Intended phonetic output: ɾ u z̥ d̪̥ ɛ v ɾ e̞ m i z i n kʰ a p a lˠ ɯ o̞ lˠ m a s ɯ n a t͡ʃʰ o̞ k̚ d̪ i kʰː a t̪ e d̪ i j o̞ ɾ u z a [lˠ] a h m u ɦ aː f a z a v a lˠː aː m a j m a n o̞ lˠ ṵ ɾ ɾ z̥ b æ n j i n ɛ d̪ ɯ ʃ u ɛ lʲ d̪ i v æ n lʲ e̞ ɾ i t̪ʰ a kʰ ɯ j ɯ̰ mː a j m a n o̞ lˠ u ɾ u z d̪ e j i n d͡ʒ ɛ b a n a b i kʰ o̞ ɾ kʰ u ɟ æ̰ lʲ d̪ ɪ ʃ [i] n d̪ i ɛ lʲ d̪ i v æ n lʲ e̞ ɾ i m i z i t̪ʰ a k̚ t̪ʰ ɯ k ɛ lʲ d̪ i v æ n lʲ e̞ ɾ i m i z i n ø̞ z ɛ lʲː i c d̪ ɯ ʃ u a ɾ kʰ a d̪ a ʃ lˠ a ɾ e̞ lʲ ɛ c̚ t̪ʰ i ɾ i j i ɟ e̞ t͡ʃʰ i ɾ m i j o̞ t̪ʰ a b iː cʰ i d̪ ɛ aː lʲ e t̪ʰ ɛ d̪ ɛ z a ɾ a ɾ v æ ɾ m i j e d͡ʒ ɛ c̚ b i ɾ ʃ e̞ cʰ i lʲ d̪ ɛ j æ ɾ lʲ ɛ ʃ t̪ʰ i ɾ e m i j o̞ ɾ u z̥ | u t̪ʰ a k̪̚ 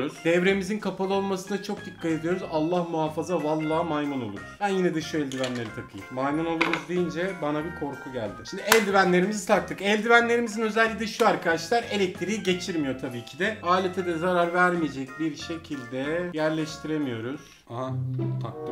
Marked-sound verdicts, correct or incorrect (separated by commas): incorrect, correct